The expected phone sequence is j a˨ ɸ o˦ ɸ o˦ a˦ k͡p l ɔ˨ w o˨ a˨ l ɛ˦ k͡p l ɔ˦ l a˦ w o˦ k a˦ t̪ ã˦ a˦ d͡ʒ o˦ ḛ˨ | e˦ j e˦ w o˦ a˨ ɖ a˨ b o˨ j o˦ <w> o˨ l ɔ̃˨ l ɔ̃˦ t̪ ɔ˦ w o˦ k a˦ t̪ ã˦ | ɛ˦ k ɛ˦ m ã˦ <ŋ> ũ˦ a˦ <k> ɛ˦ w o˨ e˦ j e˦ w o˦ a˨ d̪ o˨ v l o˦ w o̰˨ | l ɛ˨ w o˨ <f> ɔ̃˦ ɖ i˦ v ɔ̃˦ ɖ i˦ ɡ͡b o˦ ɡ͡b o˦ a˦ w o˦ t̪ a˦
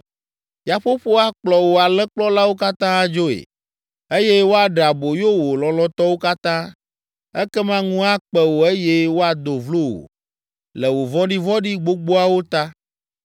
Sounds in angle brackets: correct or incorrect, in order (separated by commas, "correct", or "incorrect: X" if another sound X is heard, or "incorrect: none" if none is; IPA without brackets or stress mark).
correct, correct, incorrect: k͡p, incorrect: v